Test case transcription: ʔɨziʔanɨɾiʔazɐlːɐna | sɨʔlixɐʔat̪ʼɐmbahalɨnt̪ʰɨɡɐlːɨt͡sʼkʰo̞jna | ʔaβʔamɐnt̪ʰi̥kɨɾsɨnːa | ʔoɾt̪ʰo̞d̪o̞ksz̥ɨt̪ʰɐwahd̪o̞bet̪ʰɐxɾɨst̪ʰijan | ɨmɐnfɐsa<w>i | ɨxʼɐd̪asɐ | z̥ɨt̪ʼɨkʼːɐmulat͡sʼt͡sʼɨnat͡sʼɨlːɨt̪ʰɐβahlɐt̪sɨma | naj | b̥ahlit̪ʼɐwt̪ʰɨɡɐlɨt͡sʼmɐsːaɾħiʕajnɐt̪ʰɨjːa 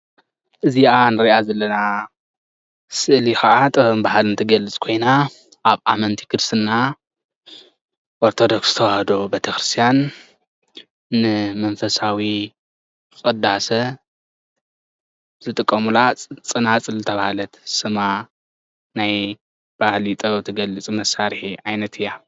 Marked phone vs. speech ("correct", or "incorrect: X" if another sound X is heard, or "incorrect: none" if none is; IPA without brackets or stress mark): correct